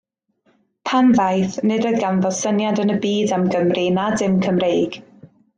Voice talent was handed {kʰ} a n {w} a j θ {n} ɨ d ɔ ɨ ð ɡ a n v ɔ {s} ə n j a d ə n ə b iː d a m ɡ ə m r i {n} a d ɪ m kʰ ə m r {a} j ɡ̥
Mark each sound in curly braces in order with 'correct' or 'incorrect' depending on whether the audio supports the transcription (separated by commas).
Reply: incorrect, incorrect, correct, correct, correct, incorrect